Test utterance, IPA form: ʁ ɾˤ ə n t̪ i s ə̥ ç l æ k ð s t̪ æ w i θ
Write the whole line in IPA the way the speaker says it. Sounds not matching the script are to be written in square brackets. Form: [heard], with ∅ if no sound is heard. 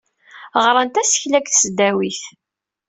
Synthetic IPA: ʁ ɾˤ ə n t̪ [æ] s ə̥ ç l æ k [θ] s [d̪] æ w i θ